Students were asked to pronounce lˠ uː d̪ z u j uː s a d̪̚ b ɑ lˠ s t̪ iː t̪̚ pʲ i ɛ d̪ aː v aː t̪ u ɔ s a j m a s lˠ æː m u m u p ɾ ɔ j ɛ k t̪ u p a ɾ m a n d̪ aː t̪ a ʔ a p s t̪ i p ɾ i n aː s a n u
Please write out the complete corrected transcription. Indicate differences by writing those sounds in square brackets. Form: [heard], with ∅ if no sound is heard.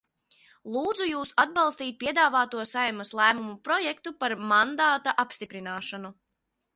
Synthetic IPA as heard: lˠ uː d̪ z u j uː s a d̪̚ b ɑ lˠ s t̪ iː t̪̚ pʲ i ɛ d̪ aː v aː t̪ u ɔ s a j m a s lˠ æː m u m u p ɾ ɔ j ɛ k t̪ u p a ɾ m a n d̪ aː t̪ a ʔ a p s t̪ i p ɾ i n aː [ʃ] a n u